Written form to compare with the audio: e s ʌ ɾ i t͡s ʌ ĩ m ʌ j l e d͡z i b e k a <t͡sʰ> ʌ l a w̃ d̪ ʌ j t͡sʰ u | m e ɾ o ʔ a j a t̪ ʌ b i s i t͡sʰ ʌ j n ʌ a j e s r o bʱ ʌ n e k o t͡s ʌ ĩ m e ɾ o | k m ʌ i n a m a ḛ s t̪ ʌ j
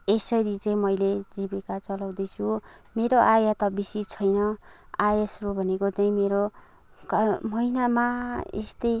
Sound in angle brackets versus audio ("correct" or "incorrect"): incorrect